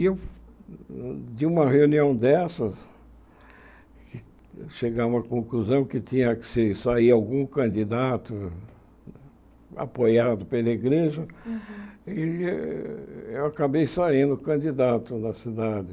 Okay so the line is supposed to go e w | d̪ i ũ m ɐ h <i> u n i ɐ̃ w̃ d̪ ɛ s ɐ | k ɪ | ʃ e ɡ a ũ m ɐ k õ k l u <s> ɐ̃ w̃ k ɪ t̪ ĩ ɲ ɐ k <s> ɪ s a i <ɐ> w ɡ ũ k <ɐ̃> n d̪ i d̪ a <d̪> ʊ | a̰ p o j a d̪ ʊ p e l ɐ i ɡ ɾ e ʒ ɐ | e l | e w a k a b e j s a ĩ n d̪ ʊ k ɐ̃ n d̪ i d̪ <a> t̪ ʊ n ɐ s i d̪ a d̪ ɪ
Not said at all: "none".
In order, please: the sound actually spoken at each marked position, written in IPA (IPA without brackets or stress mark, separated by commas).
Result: e, z, s, a, ɐ̃, t̪, a